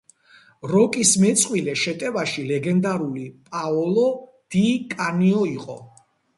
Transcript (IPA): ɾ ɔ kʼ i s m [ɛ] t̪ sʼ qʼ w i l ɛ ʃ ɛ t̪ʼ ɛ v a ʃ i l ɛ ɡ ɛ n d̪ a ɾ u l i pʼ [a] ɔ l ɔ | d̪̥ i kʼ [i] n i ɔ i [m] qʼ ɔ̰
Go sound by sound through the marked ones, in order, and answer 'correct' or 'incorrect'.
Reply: correct, correct, incorrect, incorrect

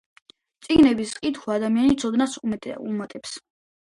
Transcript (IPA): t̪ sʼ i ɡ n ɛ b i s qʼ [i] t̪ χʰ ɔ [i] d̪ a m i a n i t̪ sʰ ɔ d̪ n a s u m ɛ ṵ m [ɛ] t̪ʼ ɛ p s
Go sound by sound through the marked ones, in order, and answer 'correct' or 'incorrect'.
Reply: correct, incorrect, incorrect

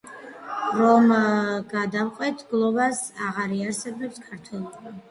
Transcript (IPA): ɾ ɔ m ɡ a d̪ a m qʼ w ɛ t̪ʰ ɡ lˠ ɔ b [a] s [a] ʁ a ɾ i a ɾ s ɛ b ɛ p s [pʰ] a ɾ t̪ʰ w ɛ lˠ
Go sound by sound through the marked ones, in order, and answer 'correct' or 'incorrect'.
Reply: correct, correct, incorrect

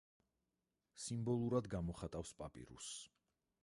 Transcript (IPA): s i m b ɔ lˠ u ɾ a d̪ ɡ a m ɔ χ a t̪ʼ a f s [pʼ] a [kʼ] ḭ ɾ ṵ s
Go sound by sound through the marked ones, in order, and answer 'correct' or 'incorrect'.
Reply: correct, incorrect

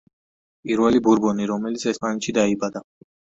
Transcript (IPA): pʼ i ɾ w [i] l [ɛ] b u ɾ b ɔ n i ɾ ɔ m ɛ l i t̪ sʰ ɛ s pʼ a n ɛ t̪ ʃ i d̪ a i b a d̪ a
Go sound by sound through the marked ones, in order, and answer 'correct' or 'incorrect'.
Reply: incorrect, incorrect

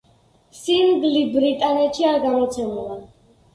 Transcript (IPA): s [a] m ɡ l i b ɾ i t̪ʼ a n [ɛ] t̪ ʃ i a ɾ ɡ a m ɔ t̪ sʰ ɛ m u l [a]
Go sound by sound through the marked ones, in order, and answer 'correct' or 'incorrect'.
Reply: incorrect, correct, correct

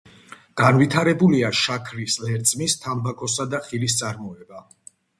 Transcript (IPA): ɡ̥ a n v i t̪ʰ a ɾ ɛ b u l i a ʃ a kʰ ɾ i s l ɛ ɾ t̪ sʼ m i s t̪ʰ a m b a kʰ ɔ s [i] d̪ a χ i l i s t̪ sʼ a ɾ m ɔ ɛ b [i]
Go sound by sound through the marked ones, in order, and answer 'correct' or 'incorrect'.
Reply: incorrect, incorrect

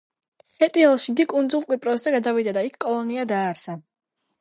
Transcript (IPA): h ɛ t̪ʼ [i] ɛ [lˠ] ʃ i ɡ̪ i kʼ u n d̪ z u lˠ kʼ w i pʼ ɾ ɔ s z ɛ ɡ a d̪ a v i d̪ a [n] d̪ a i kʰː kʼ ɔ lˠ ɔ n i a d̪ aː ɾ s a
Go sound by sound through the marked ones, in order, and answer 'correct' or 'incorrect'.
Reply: correct, correct, incorrect

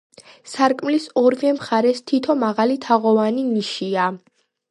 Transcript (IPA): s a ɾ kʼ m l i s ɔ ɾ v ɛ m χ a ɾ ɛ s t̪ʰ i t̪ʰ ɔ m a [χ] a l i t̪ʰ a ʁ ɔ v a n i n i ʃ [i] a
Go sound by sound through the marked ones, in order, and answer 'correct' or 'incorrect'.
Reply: incorrect, correct

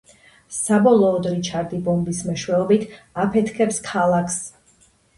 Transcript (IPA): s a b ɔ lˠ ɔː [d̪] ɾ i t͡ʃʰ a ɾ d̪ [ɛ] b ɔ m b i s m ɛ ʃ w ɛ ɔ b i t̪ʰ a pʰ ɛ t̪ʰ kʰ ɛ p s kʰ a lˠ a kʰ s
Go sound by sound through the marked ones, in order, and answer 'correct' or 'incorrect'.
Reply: correct, incorrect

